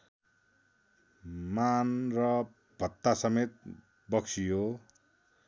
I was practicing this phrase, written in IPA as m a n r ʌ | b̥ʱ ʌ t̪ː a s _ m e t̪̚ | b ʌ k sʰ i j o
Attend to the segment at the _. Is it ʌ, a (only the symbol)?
ʌ